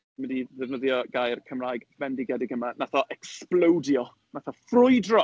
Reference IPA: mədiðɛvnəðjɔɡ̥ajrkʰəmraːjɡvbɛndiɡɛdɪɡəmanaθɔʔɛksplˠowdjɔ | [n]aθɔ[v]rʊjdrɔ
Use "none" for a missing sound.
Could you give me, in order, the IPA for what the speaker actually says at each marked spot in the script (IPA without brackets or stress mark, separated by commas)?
n, f